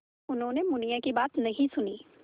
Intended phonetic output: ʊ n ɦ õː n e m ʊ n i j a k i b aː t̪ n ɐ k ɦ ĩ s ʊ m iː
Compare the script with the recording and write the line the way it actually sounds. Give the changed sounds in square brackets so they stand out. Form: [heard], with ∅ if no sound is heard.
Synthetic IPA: ʊ n ɦ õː n e m ʊ n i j a k i b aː t̪ n ɐ [∅] ɦ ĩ s ʊ [n] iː